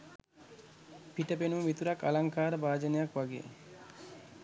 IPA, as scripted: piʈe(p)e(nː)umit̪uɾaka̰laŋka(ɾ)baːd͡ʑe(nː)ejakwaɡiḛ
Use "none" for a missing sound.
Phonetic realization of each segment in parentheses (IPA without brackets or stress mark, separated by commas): p, n, ɾ, n